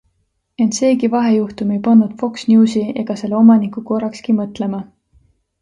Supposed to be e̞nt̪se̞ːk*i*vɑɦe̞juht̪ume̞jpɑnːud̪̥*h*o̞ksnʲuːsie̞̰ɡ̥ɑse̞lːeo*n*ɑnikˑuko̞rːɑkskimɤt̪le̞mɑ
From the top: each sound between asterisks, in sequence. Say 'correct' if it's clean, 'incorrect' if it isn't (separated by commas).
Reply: correct, incorrect, incorrect